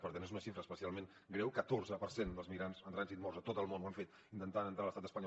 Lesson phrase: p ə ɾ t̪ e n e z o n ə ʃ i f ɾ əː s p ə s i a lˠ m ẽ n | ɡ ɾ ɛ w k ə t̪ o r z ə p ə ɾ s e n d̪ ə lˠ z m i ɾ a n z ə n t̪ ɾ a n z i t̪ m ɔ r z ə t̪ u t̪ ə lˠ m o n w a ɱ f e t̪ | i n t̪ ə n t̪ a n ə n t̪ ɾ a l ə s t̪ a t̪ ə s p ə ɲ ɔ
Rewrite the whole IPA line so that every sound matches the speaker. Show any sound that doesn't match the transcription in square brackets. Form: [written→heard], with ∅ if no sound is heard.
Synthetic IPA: p ə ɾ t̪ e n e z [o→u] n ə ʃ i f ɾ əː s p ə s i a lˠ m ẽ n | ɡ ɾ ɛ w k ə t̪ o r z ə p ə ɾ s e n d̪ ə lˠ z m i ɾ a n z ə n t̪ ɾ a n z i t̪ m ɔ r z ə t̪ [u→o] t̪ ə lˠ m o n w a ɱ f e t̪ | i n t̪ ə n t̪ a n ə n t̪ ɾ a l ə s t̪ a t̪ ə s p ə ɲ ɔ